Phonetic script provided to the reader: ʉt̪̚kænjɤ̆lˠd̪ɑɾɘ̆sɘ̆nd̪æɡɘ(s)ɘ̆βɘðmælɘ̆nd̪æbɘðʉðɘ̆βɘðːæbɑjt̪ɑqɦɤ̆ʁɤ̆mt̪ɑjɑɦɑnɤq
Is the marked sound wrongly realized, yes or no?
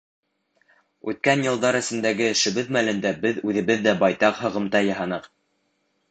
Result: yes